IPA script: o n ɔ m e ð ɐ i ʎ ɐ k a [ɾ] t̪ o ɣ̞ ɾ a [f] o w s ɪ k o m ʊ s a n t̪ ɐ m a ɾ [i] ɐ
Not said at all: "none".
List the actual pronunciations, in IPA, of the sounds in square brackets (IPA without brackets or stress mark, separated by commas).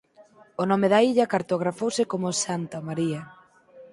ɾ, f, i